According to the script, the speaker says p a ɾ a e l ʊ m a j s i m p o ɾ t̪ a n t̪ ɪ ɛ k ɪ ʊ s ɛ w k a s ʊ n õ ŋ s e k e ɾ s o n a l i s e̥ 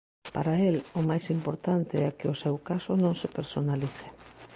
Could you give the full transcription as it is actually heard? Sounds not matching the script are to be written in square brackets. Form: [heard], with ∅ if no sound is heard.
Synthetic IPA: p a ɾ a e l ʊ m a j s i m p o ɾ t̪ a n t̪ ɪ ɛ k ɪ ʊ s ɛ w k a s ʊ n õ ŋ s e [p] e ɾ s o n a l i [θ] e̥